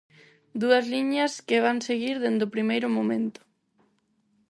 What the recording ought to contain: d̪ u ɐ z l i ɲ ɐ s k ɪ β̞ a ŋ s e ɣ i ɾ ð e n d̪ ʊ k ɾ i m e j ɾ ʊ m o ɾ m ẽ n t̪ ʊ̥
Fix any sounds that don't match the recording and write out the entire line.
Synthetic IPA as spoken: d̪ u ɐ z l i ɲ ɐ s k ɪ β̞ a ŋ s e ɣ i ɾ ð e n d̪ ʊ p ɾ i m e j ɾ ʊ m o m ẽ n t̪ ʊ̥